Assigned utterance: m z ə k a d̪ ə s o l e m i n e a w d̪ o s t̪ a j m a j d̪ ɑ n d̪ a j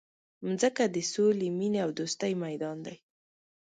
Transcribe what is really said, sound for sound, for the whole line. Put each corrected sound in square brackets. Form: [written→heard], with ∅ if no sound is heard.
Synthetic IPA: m z ə k a d̪ ə s o l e m i n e a w d̪ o s t̪ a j m a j d̪ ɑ n d̪ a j

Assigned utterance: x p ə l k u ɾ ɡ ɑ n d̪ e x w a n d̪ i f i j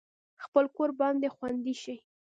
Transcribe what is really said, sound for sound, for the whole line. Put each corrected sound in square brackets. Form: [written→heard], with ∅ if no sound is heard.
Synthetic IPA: x p ə l k [u→o] ɾ [ɡ→b] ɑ n d̪ e x w a n d̪ i [f→ʃ] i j

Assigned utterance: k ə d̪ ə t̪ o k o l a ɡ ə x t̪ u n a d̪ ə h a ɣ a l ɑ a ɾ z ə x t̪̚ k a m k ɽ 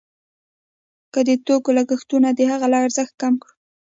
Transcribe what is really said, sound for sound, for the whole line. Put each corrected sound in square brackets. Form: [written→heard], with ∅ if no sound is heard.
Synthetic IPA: k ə d̪ ə t̪ o k o l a ɡ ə x t̪ u n a d̪ ə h a ɣ a l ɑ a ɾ z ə x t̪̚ k a m k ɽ

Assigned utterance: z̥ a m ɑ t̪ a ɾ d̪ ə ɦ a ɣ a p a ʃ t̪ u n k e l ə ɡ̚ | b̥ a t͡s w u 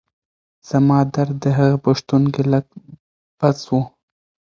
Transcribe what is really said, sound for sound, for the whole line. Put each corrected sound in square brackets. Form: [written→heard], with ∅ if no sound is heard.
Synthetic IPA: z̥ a m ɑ [t̪→d̪] a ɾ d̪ ə ɦ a ɣ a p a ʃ t̪ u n k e l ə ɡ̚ | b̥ a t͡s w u

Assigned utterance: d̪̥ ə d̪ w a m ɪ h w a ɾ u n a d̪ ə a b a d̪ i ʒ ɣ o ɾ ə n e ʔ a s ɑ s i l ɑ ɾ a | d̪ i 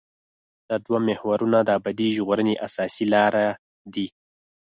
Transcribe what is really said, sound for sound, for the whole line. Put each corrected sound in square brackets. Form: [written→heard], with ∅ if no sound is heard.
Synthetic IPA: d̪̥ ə d̪ w a m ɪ h w a ɾ u n a d̪ ə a b a d̪ i ʒ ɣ o ɾ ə n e ʔ a s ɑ s i l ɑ ɾ a | d̪ i

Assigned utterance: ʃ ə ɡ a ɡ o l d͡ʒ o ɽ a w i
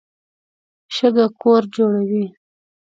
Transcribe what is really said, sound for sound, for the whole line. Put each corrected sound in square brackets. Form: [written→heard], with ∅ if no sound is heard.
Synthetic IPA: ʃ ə ɡ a [ɡ→k] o [l→ɾ] d͡ʒ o ɽ a w i

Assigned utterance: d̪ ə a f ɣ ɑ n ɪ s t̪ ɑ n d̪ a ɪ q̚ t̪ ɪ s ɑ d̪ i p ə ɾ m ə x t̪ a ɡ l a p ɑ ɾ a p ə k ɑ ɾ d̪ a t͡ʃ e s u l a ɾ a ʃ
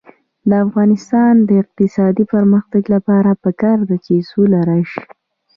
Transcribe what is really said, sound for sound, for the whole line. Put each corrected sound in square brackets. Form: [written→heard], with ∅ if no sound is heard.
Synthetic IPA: d̪ ə a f ɣ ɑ n ɪ s t̪ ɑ n d̪ [a→ə] ɪ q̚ t̪ ɪ s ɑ d̪ i p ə ɾ m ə x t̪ a ɡ l a p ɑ ɾ a p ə k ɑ ɾ d̪ a t͡ʃ e s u l a ɾ a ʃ

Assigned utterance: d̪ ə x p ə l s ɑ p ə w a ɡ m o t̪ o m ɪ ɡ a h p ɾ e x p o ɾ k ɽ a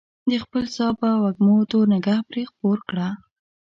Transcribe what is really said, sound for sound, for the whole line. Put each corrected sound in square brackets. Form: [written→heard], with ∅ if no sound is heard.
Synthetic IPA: d̪ ə x p ə l s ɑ p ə w a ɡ m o t̪ o [m→n] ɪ ɡ a h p ɾ e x p o ɾ k ɽ a

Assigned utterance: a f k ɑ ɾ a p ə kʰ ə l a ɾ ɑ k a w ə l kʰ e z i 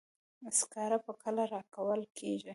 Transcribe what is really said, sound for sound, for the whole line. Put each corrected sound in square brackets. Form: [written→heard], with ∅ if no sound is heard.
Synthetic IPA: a [f→s] k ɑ ɾ a p ə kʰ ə l a ɾ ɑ k a w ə l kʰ e [z→ʒ] i

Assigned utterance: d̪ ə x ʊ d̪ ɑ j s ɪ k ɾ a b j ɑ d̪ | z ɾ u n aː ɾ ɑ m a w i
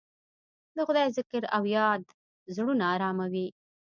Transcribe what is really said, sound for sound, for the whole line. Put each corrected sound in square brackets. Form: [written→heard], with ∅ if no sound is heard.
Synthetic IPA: d̪ ə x ʊ d̪ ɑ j [s→z] ɪ k ɾ a [b→w] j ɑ d̪ | z [ɾ→ɽ] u n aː ɾ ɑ m a w i

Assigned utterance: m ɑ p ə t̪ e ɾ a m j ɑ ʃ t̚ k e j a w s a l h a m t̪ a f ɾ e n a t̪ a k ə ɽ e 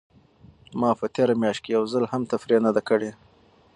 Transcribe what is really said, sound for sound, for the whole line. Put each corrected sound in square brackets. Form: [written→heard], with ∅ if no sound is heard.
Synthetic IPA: m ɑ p ə t̪ e ɾ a m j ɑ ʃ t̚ k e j a w [s→z] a l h a m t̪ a f ɾ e n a [t̪→d̪] a k ə ɽ e

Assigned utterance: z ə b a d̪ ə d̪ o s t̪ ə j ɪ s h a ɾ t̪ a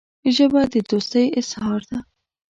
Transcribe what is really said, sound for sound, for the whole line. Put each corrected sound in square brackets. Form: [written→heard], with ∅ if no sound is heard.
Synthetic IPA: [z→ʒ] ə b a d̪ ə d̪ o s t̪ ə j ɪ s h [a→ɑ] ɾ [t̪→d̪] a

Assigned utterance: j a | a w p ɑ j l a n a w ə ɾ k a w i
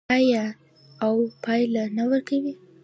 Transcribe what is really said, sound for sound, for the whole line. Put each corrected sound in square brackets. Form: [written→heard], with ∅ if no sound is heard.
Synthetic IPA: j a | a w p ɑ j l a n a w ə ɾ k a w i

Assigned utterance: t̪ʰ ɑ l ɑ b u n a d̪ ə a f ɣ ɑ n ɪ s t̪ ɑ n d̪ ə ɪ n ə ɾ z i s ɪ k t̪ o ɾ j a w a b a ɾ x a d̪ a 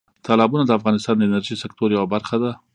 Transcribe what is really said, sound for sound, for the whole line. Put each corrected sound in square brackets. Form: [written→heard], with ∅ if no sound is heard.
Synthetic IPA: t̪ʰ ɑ l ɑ b u n a d̪ ə a f ɣ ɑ n ɪ s t̪ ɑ n d̪ ə ɪ n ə ɾ [z→ʒ] i s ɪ k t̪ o ɾ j a w a b a ɾ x a d̪ a

